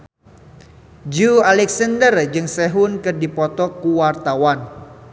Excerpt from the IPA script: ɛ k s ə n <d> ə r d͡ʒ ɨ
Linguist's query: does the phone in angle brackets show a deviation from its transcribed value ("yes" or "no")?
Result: no